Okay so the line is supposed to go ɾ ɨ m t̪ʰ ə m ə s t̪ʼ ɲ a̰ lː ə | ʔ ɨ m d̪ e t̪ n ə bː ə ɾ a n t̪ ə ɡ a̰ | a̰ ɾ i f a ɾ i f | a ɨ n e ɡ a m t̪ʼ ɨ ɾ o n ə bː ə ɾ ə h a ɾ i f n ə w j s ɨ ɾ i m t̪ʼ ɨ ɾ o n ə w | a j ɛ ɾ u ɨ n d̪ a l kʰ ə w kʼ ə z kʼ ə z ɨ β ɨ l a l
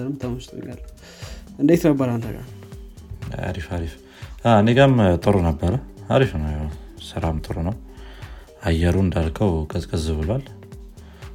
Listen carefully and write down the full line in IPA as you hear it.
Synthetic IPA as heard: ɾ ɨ m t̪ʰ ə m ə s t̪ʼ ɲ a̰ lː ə | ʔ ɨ n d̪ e t̪ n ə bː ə ɾ a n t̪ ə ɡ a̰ | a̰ ɾ i f a ɾ i f | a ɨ n e ɡ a m t̪ʼ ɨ ɾ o n ə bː ə ɾ ə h a ɾ i f n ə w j s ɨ ɾ a m t̪ʼ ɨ ɾ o n ə w | a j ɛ ɾ u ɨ n d̪ a l kʰ ə w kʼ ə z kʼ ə z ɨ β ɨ l a l